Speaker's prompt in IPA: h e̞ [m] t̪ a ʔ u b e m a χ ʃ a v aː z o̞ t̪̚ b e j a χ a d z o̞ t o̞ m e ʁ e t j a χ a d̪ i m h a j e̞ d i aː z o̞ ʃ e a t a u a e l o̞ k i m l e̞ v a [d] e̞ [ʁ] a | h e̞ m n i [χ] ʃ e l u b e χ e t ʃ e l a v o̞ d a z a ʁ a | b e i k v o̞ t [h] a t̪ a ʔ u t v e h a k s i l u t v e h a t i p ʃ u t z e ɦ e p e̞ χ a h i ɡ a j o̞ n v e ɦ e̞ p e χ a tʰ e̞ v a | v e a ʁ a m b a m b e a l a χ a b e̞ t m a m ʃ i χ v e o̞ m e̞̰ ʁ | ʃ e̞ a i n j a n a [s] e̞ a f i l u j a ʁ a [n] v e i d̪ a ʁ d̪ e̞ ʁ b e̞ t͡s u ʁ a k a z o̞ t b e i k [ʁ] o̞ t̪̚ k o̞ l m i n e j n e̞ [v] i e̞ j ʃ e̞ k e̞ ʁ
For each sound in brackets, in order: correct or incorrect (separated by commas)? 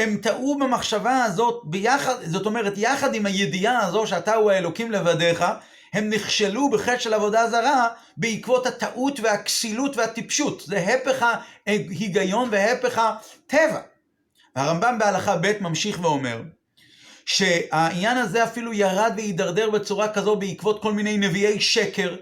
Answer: correct, correct, incorrect, correct, correct, incorrect, incorrect, incorrect, correct